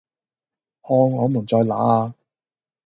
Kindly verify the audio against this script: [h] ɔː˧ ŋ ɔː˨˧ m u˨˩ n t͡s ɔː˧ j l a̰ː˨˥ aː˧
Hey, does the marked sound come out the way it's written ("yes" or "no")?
yes